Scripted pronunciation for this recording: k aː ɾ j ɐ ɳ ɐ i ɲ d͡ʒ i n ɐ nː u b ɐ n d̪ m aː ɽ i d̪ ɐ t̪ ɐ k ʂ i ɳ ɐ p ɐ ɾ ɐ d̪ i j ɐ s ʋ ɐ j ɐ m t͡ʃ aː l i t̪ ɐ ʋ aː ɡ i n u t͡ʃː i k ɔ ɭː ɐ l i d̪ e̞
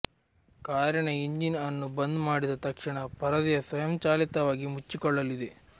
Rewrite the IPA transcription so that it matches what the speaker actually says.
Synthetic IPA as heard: k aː ɾ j ɐ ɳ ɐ i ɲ d͡ʒ i n ɐ nː u b ɐ n d̪ m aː ɽ i d̪ ɐ t̪ ɐ k ʂ i ɳ ɐ p ɐ ɾ ɐ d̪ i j ɐ s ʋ ɐ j ɐ m t͡ʃ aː l i t̪ ɐ ʋ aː ɡ i m u t͡ʃː i k ɔ ɭː ɐ l i d̪ e̞